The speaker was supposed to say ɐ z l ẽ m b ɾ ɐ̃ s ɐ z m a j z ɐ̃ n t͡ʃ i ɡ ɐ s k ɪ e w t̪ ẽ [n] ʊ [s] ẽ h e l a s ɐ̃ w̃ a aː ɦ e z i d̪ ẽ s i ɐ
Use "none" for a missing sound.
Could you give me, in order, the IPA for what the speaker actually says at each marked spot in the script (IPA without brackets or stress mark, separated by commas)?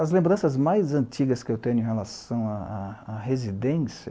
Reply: ɲ, none